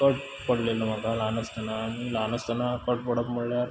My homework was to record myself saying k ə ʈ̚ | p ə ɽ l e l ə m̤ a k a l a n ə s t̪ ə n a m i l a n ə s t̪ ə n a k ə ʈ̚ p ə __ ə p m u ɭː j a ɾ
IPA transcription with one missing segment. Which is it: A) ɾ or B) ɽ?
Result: B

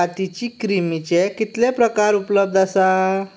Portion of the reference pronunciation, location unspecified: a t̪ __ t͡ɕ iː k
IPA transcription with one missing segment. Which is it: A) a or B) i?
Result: B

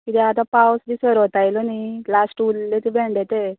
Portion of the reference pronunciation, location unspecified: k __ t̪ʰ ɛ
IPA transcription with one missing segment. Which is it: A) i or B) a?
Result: A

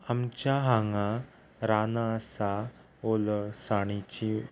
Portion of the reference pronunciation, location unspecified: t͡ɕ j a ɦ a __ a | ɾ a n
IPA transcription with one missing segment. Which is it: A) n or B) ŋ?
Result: B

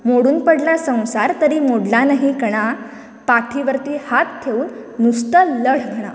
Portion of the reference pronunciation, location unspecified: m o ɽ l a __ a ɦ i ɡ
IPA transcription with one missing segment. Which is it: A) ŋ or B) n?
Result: B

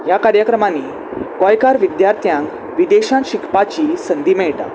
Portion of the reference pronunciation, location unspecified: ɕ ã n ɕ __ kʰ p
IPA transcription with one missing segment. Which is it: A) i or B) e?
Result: A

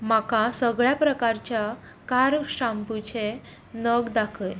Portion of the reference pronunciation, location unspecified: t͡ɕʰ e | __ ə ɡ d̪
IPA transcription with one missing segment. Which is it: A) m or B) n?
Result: B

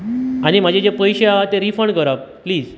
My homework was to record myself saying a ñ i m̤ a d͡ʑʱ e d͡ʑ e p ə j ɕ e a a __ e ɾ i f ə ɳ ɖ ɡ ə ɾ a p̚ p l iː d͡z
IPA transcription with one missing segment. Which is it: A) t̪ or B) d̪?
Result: A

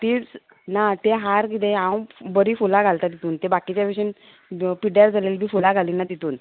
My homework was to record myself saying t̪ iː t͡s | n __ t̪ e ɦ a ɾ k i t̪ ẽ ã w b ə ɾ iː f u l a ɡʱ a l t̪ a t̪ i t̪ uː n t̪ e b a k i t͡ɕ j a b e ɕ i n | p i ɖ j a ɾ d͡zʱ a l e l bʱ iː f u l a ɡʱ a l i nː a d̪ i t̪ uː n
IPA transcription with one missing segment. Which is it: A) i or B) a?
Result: B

